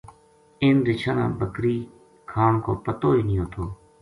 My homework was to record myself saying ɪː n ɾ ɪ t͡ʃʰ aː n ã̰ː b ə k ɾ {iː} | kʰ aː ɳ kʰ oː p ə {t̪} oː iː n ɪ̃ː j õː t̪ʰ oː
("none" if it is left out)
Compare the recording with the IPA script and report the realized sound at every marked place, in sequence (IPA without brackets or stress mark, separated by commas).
iː, t̪